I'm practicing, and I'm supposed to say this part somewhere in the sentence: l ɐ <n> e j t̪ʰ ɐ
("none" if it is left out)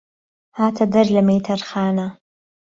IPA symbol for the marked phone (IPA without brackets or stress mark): m